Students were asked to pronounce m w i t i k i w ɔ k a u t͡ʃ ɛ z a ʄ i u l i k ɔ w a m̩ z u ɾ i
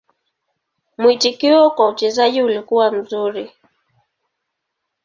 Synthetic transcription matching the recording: m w i t i k i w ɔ k a u t͡ʃ ɛ z a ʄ i u l i k u w a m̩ z u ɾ i